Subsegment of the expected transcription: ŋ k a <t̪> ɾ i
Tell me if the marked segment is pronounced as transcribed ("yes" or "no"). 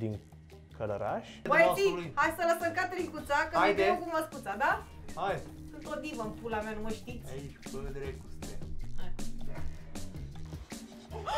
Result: yes